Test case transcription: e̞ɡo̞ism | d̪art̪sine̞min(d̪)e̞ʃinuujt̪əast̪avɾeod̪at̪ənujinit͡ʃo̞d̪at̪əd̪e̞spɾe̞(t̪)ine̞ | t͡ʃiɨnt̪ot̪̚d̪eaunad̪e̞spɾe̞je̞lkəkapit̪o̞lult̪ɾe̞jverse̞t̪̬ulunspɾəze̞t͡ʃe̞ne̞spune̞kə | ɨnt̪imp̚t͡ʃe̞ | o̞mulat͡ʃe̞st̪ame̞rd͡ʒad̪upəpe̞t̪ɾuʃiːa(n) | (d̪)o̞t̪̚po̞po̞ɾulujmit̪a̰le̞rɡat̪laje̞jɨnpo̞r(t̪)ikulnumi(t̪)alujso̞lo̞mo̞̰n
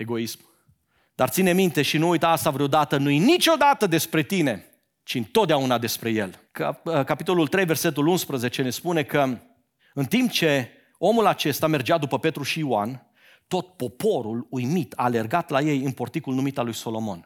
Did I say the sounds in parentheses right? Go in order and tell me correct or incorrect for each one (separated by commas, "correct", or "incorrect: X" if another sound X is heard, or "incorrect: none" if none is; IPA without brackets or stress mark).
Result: incorrect: t̪, correct, correct, incorrect: t̪, correct, correct